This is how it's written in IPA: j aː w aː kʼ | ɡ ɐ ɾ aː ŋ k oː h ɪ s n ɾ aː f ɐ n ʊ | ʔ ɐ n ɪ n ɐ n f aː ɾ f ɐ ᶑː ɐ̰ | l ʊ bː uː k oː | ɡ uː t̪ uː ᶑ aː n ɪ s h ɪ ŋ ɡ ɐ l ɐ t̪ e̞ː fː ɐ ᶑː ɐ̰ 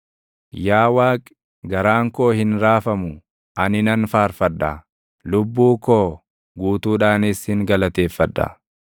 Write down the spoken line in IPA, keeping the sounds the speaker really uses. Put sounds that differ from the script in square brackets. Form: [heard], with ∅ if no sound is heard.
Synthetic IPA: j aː w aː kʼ | ɡ ɐ ɾ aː ŋ k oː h ɪ [∅] n ɾ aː f ɐ [m] ʊ | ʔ ɐ n ɪ n ɐ n f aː ɾ f ɐ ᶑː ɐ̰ | l ʊ bː uː k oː | ɡ uː t̪ uː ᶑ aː n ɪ s h ɪ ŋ ɡ ɐ l ɐ t̪ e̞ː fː ɐ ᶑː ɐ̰

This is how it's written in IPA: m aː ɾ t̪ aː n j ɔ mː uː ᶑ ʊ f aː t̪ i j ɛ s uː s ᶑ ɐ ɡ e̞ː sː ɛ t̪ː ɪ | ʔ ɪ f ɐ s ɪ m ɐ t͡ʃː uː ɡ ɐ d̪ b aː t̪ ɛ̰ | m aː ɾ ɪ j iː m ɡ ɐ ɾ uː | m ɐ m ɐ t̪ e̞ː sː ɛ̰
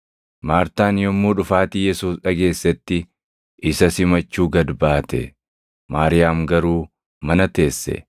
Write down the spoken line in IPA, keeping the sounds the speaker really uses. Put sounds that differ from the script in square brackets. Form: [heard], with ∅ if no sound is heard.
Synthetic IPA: m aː ɾ t̪ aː n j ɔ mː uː ᶑ ʊ f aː t̪ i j ɛ s uː s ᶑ ɐ ɡ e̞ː sː ɛ t̪ː ɪ | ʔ ɪ [s] ɐ s ɪ m ɐ t͡ʃː uː ɡ ɐ d̪ b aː t̪ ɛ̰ | m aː ɾ ɪ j [aː] m ɡ ɐ ɾ uː | m ɐ [n] ɐ t̪ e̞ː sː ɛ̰

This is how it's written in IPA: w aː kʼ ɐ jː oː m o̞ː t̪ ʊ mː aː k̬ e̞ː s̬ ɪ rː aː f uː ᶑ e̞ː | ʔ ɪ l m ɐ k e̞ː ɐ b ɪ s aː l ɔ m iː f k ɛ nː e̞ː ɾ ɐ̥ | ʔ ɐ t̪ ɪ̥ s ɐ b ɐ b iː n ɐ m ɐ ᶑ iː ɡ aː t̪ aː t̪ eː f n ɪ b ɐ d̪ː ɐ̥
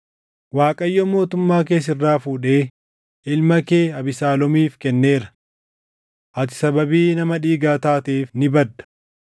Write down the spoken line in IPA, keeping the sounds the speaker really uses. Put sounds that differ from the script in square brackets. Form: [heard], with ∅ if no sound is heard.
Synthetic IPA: w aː kʼ ɐ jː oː m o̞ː t̪ ʊ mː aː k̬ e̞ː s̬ ɪ rː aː f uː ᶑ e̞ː | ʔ ɪ l m ɐ k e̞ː ɐ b ɪ s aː l ɔ m iː f k ɛ nː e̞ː ɾ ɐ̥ | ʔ ɐ t̪ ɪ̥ s ɐ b ɐ b iː n ɐ m ɐ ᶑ iː ɡ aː t̪ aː t̪ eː f n ɪ b ɐ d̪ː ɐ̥

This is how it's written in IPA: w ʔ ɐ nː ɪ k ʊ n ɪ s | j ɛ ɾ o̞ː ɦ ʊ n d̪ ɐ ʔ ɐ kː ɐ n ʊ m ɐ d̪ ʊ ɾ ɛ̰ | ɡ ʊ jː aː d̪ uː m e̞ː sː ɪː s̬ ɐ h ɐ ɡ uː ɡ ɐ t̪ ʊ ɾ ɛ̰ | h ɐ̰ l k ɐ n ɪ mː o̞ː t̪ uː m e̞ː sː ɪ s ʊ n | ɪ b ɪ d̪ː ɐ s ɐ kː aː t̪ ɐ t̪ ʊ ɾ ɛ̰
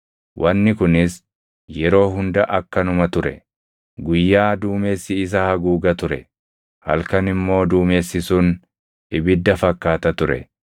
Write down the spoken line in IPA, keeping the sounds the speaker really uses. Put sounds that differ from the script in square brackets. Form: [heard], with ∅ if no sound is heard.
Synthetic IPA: w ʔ ɐ nː ɪ k ʊ n ɪ s | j ɛ ɾ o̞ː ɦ ʊ n d̪ ɐ ʔ ɐ kː ɐ n ʊ m ɐ [t̪] ʊ ɾ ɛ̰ | ɡ ʊ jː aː d̪ uː m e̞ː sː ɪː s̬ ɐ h ɐ ɡ uː ɡ ɐ t̪ ʊ ɾ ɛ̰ | h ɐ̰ l k ɐ n ɪ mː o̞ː [d̪] uː m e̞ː sː ɪ s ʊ n | ɪ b ɪ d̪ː ɐ [f] ɐ kː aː t̪ ɐ t̪ ʊ ɾ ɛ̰

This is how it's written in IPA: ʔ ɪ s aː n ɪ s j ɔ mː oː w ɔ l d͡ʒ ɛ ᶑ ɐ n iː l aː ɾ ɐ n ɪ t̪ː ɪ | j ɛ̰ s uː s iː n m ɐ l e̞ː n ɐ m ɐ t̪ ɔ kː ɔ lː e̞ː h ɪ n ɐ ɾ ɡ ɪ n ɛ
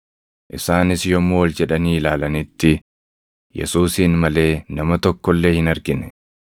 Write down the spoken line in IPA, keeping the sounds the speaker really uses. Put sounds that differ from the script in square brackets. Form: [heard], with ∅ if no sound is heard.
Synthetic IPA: ʔ ɪ s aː n ɪ s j ɔ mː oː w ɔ l d͡ʒ ɛ ᶑ ɐ n iː l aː [l] ɐ n ɪ t̪ː ɪ | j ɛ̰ s uː s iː n m ɐ l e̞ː n ɐ m ɐ t̪ ɔ kː ɔ lː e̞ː h ɪ n ɐ ɾ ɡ ɪ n ɛ

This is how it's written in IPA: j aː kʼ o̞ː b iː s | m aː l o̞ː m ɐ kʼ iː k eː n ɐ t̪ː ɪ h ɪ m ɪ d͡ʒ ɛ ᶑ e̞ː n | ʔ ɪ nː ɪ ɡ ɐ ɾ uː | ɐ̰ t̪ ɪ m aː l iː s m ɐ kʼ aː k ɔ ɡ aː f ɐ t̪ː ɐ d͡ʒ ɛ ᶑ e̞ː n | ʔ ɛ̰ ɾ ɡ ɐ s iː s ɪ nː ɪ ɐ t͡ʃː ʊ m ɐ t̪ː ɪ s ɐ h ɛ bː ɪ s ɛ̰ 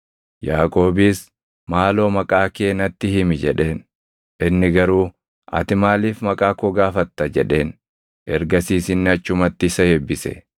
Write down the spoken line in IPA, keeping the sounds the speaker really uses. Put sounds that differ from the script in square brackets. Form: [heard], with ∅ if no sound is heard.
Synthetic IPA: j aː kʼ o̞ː b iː s | m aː l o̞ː m ɐ kʼ [aː] k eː n ɐ t̪ː ɪ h ɪ m ɪ d͡ʒ ɛ ᶑ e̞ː n | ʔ ɪ nː ɪ ɡ ɐ ɾ uː | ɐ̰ t̪ ɪ m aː l iː [f] m ɐ kʼ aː k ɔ ɡ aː f ɐ t̪ː ɐ d͡ʒ ɛ ᶑ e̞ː n | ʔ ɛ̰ ɾ ɡ ɐ s iː s ɪ nː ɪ ɐ t͡ʃː ʊ m ɐ t̪ː ɪ s ɐ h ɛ bː ɪ s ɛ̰

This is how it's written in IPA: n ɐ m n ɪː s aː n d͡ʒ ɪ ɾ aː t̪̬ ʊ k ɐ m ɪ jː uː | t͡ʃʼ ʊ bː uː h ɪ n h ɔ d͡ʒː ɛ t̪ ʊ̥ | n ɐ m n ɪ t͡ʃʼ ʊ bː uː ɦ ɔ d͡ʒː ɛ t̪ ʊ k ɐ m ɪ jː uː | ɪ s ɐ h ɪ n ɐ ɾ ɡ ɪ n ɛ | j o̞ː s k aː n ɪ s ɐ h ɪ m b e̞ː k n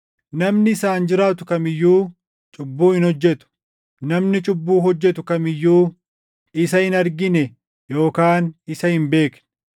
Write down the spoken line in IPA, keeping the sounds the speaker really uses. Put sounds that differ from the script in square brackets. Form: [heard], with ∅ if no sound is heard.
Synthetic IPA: n ɐ m n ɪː s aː n d͡ʒ ɪ ɾ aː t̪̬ ʊ k ɐ m ɪ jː uː | t͡ʃʼ ʊ bː uː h ɪ n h ɔ d͡ʒː ɛ t̪ ʊ̥ | n ɐ m n ɪ t͡ʃʼ ʊ bː uː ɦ ɔ d͡ʒː ɛ t̪ ʊ k ɐ m ɪ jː uː | ɪ s ɐ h ɪ n ɐ ɾ ɡ ɪ n ɛ | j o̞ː [∅] k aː n ɪ s ɐ h ɪ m b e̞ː k n

